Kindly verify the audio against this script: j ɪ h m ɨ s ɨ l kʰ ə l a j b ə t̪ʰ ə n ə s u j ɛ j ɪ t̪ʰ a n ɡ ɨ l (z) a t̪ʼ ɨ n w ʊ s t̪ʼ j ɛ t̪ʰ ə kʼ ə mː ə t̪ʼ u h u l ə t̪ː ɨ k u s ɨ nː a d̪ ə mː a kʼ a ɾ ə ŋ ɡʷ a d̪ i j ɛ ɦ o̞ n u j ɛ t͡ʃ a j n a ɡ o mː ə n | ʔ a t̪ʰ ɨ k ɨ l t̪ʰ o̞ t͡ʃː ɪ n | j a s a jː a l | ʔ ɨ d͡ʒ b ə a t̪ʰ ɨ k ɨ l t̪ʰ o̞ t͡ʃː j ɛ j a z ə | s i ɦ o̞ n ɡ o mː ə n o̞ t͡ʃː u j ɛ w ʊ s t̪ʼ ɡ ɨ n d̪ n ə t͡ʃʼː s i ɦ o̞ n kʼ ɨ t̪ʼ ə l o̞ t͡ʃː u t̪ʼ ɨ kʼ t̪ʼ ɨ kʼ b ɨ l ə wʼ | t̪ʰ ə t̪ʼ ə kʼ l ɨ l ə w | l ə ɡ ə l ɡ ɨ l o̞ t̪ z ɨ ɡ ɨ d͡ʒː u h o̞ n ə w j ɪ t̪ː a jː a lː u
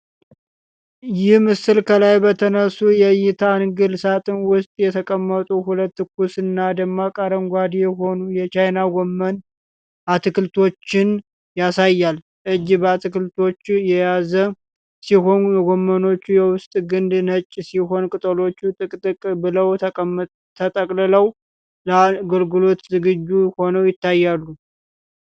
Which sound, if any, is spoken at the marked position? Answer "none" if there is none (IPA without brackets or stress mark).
s